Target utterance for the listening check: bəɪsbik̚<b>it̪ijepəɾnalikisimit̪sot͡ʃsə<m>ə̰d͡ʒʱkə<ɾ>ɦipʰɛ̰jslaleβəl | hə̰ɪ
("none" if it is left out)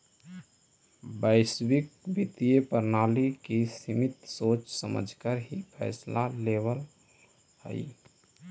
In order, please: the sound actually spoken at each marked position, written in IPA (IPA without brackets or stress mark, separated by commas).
b, m, ɾ